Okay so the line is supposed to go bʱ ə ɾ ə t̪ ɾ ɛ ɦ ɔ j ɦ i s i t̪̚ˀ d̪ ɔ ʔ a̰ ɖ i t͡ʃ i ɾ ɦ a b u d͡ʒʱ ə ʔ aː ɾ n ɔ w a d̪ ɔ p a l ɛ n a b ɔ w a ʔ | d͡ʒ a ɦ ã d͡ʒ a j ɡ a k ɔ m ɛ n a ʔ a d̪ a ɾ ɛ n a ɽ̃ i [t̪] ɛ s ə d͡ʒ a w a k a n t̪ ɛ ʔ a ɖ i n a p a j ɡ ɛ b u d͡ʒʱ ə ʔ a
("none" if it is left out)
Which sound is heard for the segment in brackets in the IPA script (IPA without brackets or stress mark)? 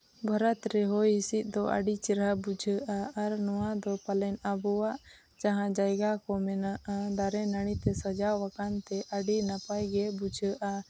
t̪